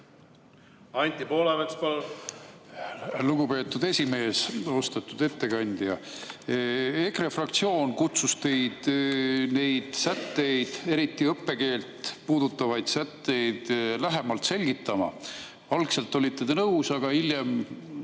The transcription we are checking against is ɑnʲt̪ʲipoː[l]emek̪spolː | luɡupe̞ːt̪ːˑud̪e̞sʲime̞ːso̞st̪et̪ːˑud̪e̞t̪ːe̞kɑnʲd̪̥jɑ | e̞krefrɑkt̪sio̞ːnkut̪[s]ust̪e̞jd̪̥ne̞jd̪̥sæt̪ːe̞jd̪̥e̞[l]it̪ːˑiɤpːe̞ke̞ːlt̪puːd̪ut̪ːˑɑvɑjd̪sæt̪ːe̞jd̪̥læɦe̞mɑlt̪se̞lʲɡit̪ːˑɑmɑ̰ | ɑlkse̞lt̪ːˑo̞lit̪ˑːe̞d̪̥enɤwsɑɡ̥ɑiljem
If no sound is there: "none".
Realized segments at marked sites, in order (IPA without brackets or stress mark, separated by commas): l, s, ɾ